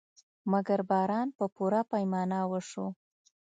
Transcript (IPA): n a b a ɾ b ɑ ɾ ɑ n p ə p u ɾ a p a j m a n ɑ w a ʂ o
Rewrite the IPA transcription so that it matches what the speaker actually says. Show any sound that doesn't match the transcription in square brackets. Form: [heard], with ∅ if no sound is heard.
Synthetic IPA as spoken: [m] a [ɡ] a ɾ b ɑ ɾ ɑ n p ə p u ɾ a p a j m [ɑ] n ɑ w [ə] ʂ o